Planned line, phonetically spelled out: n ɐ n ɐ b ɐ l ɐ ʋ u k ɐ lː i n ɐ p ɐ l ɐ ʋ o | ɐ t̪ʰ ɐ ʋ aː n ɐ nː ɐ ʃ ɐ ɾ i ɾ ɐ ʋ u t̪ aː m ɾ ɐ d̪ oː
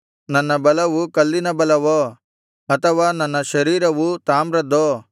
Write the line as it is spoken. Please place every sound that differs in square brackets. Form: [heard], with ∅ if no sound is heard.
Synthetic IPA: n ɐ [nː] ɐ b ɐ l ɐ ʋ u k ɐ lː i n ɐ [b] ɐ l ɐ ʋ o | ɐ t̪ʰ ɐ ʋ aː n ɐ nː ɐ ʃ ɐ ɾ [iː] ɾ ɐ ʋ u t̪ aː m ɾ ɐ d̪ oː